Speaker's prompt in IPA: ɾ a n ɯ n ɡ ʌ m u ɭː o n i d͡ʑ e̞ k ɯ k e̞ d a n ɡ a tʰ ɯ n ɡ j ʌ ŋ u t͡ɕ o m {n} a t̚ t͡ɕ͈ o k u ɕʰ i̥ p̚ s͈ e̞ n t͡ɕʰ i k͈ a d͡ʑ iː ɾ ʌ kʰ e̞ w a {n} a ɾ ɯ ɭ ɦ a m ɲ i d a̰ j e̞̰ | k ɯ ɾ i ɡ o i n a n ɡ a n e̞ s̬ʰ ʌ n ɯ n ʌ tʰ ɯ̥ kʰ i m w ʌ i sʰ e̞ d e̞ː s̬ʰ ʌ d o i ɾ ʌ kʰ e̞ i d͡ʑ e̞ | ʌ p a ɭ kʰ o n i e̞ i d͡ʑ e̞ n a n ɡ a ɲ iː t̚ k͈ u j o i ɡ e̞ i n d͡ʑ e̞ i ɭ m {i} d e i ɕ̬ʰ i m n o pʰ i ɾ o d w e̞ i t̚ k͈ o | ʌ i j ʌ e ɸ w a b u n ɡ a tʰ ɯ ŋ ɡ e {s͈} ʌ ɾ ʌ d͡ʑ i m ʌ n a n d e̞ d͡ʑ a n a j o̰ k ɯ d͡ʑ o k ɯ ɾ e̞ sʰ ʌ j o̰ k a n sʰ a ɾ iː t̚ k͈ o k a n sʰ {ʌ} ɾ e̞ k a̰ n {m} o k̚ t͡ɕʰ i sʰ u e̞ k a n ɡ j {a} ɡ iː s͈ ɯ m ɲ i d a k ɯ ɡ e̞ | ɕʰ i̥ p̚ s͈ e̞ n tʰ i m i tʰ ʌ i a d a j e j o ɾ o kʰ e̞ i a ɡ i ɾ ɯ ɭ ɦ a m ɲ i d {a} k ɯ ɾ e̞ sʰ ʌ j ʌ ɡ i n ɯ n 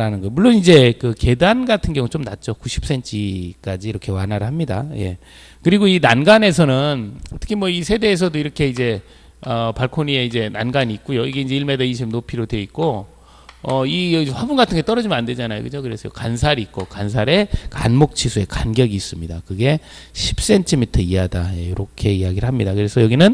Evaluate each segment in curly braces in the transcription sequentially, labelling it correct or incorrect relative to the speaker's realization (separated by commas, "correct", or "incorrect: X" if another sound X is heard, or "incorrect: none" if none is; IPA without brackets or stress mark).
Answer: correct, correct, incorrect: e, incorrect: t͈, incorrect: a, correct, incorrect: ʌ, correct